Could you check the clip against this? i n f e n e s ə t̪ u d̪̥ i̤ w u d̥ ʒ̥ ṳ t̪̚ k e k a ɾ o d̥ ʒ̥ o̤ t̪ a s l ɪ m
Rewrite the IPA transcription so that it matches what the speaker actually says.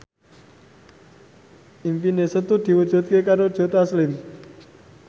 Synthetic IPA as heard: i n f i n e s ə t̪ u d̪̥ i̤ w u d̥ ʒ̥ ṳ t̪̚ k e k a ɾ o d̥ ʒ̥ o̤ t̪ a s l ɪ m